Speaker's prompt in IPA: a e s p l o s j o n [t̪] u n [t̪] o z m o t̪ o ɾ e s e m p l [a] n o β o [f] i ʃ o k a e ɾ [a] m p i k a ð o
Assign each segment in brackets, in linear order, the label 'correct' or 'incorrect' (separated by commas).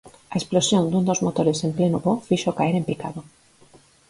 incorrect, incorrect, incorrect, correct, incorrect